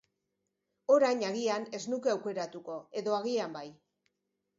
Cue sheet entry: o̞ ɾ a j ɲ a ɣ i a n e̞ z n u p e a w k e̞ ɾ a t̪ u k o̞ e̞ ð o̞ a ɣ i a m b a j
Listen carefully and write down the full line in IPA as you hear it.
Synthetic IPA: o̞ ɾ a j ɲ a ɣ i a n e̞ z n u k e a w k e̞ ɾ a t̪ u k o̞ e̞ ð o̞ a ɣ i a m b a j